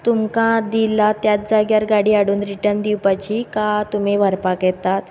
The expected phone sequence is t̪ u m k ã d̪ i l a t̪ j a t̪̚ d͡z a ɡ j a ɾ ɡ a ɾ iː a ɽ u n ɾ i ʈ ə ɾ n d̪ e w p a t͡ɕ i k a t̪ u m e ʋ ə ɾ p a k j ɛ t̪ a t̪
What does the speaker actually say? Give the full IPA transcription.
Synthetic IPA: t̪ u m k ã d̪ i l a t̪ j a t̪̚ d͡z a ɡ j a ɾ ɡ a ɽ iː a ɽ uː n ɾ i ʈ ə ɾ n d̪ i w p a t͡ɕ i k a t̪ u m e ʋ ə ɾ p a k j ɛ t̪ a t̪